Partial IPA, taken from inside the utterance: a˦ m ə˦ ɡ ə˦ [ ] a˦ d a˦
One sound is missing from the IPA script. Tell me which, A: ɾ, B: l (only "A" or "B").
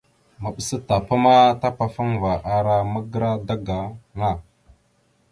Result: A